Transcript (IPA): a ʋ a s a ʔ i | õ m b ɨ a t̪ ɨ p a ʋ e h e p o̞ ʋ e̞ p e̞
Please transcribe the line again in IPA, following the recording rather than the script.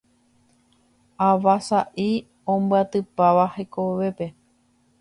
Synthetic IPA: a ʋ a s a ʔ i | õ m b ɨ a t̪ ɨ p a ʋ a h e k o̞ ʋ e̞ p e̞